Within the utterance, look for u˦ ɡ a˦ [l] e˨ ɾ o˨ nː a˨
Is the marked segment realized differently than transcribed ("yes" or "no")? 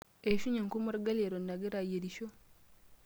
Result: no